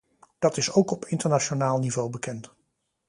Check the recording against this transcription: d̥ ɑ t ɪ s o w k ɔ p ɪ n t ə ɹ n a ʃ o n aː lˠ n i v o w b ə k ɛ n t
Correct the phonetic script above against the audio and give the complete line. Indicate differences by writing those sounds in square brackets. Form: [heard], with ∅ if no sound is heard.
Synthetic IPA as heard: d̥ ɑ t ɪ s o w k ɔ p ɪ n t ə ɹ n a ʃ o n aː lˠ n i v o w b ə k ɛ n t